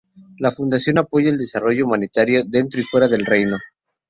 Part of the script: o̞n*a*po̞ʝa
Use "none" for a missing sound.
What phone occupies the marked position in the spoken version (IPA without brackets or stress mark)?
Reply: a